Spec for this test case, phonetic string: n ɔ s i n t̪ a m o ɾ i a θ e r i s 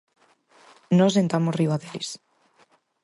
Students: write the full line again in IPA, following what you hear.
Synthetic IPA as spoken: n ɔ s e n t̪ a m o r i a ð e l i s